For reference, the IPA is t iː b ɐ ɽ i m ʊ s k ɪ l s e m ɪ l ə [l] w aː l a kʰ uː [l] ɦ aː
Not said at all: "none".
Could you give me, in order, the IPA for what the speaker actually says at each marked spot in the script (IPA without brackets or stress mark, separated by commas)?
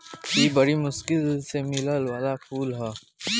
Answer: l, l